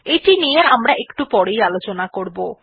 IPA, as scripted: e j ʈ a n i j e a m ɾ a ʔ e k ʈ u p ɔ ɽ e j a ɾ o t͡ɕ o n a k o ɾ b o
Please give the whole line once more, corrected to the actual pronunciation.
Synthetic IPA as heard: e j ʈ i n i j e a m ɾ a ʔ e k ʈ u p ɔ ɽ e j a l o t͡ɕ o n a k o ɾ b o